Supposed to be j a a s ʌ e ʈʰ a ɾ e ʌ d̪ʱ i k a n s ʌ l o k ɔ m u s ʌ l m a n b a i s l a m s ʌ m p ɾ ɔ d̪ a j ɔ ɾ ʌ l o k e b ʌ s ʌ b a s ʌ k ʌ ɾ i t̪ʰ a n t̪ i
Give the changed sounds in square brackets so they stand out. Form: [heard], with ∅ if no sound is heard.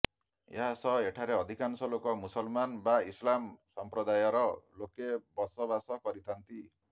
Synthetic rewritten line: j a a s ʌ e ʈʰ a ɾ e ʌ d̪ʱ i k a n s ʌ l o k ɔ m u s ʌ l m a n b a i s l a m s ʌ m p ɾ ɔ d̪ a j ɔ ɾ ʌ l o k e b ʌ s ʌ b a s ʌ k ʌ ɾ i t̪ʰ a n t̪ i